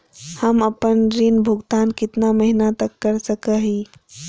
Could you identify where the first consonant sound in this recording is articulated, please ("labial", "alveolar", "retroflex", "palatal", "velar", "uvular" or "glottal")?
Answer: glottal